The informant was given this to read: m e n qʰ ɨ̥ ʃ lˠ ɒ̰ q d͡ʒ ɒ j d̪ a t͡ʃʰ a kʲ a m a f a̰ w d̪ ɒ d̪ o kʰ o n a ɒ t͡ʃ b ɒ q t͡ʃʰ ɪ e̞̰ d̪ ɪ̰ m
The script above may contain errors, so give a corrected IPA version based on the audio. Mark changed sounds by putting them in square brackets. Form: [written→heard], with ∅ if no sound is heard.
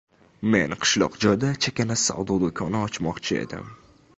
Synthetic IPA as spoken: m e n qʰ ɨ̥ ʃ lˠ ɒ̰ q d͡ʒ ɒ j d̪ a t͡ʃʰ a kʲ a [m→n] a [f→s] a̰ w d̪ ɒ d̪ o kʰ [o→ɒ] n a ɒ t͡ʃ [b→m] ɒ q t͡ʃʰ ɪ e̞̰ d̪ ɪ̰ m